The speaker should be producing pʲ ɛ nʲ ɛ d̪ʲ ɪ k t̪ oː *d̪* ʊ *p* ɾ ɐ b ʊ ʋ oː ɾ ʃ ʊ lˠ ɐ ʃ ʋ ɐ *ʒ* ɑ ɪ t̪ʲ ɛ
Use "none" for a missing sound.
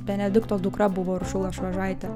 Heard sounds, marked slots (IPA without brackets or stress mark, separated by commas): d̪, k, ʒ